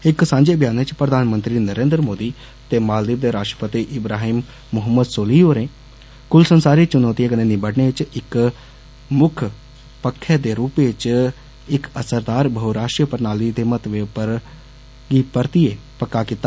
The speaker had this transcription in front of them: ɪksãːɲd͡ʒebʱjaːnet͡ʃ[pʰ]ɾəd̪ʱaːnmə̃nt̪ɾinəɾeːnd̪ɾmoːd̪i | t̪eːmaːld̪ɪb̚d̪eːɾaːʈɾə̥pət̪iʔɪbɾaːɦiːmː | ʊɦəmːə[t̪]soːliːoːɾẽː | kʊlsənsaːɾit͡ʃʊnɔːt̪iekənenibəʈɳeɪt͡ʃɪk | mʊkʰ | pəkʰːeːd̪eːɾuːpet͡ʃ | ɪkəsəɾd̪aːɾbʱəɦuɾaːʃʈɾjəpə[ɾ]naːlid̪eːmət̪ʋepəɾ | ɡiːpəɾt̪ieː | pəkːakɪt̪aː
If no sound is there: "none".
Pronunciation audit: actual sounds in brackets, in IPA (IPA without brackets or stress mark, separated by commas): p, d̪, ɾ